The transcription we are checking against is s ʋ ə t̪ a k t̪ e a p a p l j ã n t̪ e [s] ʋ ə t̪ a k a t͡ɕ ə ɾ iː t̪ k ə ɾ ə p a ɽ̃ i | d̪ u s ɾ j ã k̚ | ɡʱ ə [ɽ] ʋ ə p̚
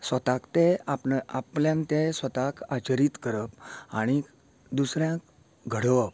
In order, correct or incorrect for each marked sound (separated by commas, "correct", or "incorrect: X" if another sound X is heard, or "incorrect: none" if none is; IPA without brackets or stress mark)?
correct, correct